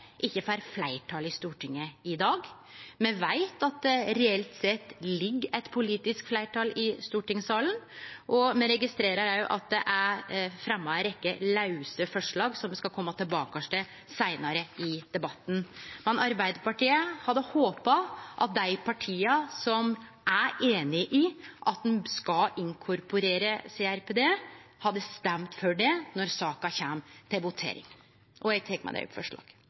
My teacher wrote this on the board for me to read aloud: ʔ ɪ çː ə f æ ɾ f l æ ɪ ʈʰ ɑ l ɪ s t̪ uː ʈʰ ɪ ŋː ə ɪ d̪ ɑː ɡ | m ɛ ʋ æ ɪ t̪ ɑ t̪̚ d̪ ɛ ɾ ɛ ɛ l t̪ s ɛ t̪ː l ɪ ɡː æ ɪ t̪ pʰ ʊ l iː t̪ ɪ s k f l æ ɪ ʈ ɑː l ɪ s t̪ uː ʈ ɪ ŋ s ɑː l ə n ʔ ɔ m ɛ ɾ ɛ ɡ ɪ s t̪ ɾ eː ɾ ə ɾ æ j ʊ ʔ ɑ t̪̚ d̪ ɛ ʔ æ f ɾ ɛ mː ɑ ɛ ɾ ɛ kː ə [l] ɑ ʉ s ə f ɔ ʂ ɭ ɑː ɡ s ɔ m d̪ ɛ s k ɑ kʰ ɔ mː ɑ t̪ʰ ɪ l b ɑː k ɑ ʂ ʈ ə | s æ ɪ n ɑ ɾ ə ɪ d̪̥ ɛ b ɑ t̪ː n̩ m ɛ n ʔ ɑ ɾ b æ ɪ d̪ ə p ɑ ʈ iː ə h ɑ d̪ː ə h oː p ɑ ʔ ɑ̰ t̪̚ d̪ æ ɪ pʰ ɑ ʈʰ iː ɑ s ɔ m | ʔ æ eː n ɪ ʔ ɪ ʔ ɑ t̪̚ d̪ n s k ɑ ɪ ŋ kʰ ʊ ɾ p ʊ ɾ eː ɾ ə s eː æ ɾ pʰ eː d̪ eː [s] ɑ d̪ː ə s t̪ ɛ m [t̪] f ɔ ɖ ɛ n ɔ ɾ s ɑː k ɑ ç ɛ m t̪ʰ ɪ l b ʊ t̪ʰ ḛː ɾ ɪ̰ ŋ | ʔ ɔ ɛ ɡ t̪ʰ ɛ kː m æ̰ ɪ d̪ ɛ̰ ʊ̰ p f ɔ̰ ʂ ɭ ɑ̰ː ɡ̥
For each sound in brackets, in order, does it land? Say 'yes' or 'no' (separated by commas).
yes, no, yes